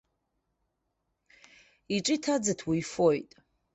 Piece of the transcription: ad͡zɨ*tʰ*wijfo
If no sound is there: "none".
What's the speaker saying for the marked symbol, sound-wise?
tʰ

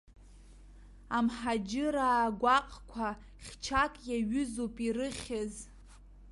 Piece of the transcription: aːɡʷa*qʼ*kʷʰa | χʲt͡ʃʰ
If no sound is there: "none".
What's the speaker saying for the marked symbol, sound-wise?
qʼ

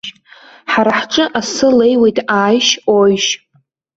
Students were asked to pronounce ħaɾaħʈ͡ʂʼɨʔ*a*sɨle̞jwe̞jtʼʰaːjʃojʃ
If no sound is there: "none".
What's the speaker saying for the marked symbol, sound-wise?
a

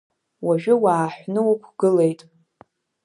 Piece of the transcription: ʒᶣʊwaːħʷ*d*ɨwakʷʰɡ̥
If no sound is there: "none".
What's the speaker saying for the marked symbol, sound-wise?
n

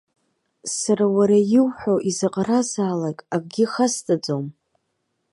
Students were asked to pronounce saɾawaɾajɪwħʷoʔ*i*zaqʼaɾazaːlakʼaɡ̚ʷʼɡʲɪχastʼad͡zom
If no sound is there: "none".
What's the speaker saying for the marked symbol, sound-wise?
i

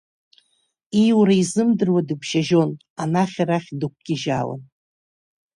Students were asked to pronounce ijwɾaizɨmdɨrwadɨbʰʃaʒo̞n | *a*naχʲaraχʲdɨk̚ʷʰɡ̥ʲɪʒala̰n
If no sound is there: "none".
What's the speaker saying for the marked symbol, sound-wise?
a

